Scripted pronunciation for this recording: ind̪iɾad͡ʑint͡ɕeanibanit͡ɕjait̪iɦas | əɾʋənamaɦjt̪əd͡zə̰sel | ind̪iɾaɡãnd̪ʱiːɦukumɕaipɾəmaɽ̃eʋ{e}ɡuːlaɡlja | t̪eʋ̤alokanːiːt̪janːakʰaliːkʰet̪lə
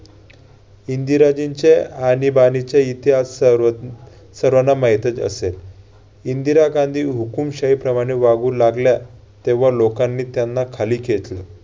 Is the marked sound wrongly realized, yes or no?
yes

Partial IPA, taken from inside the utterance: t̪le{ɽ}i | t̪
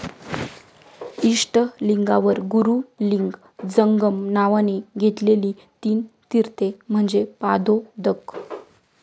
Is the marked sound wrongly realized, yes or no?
yes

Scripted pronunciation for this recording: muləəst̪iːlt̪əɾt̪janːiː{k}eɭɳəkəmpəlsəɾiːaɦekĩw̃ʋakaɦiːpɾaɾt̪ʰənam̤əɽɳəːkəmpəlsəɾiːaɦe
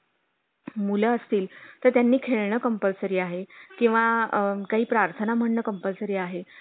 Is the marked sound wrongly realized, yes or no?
yes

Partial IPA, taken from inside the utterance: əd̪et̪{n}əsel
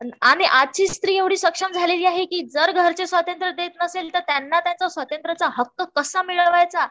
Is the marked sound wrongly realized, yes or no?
no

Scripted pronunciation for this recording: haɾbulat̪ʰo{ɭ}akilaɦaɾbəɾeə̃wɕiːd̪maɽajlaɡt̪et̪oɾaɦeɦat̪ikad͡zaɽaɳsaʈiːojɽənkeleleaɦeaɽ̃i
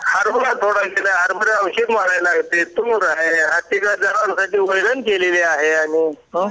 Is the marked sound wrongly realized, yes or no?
yes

